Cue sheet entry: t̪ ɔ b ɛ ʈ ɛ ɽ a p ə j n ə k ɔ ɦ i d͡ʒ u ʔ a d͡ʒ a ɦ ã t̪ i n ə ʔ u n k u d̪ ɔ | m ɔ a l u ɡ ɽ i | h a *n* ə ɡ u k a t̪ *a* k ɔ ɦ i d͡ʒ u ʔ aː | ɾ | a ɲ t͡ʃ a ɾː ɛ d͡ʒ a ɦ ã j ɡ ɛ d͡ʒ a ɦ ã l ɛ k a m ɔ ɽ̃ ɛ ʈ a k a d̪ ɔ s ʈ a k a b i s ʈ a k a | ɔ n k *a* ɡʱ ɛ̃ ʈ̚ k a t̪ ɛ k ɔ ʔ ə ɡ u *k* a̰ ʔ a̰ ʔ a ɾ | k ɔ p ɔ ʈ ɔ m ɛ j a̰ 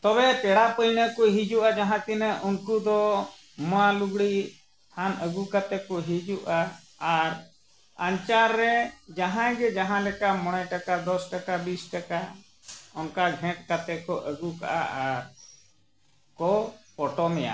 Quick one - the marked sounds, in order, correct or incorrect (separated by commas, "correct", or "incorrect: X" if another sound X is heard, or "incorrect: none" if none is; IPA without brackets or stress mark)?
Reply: correct, incorrect: ɛ, correct, correct